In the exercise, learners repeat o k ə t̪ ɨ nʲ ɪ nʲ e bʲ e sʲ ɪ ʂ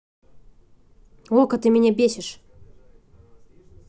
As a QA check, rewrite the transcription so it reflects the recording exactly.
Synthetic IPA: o k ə t̪ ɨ mʲ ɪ nʲ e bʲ e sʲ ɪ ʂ